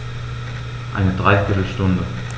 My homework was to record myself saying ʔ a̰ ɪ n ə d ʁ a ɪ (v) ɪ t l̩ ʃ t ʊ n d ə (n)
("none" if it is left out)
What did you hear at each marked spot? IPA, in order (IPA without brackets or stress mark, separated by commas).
f, none